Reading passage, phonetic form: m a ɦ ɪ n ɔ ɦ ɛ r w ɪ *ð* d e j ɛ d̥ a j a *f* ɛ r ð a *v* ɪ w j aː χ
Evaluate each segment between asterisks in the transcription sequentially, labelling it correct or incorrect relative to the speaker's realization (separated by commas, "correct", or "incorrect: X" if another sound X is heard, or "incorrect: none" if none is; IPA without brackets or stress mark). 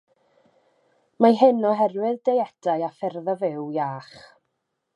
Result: correct, correct, correct